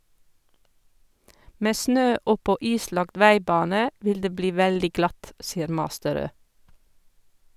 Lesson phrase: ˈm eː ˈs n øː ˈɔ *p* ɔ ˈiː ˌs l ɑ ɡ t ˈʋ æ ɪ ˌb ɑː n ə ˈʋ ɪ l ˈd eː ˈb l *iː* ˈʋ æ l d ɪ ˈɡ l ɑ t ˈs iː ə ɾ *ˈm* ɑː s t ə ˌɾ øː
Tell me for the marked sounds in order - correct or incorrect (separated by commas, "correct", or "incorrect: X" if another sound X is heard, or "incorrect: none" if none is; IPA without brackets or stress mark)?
correct, correct, correct